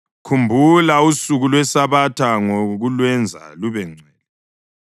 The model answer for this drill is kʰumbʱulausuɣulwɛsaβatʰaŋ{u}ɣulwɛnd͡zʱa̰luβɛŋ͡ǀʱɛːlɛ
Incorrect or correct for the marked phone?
incorrect: o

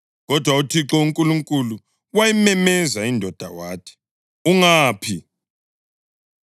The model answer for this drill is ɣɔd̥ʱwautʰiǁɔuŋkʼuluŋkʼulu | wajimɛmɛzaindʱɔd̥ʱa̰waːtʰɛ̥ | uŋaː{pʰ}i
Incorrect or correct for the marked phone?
correct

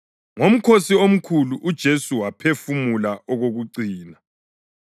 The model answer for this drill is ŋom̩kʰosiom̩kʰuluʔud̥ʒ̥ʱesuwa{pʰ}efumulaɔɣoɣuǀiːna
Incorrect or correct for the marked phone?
correct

